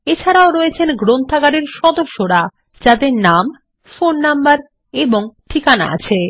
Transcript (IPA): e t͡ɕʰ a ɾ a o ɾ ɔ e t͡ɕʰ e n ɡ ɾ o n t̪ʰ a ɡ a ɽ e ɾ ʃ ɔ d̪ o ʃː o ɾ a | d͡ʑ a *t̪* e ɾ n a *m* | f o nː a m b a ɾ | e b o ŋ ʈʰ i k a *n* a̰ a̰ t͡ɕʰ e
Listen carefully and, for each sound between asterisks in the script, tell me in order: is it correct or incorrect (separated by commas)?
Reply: incorrect, correct, correct